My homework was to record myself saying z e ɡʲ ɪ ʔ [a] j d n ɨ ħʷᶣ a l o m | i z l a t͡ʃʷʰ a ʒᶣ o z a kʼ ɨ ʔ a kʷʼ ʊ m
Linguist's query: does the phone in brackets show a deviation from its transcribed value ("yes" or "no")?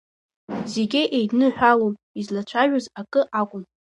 yes